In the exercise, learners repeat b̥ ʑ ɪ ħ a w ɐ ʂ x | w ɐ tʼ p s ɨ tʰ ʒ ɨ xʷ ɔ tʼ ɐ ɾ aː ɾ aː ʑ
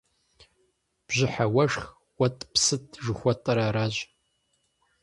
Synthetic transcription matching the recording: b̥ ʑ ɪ ħ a w ɐ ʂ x | w ɐ tʼ p s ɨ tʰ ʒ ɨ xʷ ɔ tʼ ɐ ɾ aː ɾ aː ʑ